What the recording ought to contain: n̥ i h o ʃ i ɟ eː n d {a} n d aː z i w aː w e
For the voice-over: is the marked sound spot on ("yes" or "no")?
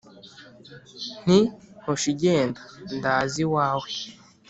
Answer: yes